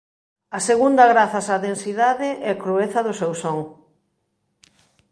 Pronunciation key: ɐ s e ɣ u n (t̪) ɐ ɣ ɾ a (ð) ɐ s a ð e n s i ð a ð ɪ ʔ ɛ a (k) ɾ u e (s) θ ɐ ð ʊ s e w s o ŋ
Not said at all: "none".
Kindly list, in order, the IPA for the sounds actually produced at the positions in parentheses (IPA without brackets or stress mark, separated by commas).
d̪, θ, k, none